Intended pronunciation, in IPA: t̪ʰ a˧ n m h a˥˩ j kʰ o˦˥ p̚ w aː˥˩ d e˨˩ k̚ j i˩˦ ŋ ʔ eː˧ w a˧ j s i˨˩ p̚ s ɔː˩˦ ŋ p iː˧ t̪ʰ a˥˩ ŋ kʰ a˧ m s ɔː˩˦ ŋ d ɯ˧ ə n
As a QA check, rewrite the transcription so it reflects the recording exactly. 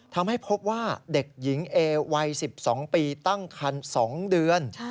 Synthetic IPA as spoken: t̪ʰ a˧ m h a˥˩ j pʰ o˦˥ p̚ w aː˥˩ d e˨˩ k̚ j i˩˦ ŋ ʔ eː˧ w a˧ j s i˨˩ p̚ s ɔː˩˦ ŋ p iː˧ t̪ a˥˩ ŋ kʰ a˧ n s ɔː˩˦ ŋ d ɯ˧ ə n

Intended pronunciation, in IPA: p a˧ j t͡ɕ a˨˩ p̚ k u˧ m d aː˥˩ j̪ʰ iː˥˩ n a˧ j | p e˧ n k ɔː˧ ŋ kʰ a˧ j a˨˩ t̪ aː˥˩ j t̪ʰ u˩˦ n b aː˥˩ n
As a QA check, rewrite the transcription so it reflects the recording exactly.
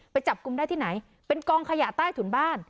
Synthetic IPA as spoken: p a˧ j t͡ɕ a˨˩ p̚ k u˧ m d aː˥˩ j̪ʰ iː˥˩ n a˩˦ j | p e˧ n k ɔː˧ ŋ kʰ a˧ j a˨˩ t̪ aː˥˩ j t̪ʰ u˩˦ n b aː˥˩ n

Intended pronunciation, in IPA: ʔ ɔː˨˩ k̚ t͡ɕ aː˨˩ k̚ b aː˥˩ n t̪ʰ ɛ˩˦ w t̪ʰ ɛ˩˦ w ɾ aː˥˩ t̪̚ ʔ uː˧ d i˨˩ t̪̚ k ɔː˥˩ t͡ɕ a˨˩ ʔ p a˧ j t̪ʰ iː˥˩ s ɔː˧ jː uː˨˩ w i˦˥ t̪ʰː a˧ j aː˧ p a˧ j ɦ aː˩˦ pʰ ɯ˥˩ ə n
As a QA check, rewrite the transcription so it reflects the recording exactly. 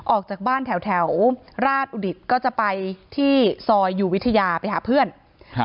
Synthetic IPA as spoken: ʔ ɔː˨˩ k̚ t͡ɕ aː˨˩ k̚ b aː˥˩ n t̪ʰ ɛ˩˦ w t̪ʰ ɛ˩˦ w ɾ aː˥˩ t̪̚ ʔ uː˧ d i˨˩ t̪̚ k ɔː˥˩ t͡ɕ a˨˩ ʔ p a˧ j t̪ʰ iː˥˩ s ɔː˧ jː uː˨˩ w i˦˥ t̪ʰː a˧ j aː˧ p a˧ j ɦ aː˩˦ pʰ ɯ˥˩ ə n

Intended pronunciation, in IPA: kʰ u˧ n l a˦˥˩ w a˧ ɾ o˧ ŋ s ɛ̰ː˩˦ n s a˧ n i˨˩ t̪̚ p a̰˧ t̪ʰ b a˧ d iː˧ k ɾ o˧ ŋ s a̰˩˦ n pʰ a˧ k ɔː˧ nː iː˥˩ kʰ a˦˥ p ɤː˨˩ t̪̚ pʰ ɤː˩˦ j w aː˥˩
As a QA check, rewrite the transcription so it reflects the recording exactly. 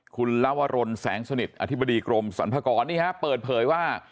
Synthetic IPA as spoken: kʰ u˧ n l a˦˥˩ w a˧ ɾ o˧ n s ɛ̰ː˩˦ ŋ s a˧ n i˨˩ t̪̚ ʔ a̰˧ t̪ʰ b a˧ d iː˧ k ɾ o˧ m s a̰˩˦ n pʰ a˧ k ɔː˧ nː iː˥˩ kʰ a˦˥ p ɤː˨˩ t̪̚ pʰ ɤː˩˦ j w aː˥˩

